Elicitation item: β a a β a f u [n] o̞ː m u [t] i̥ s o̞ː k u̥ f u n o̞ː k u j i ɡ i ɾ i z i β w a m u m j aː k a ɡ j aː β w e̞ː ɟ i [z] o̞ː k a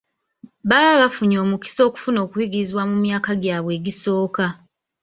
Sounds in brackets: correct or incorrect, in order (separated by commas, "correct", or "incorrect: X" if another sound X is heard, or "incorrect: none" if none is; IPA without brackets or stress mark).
incorrect: ɲ, incorrect: k, incorrect: s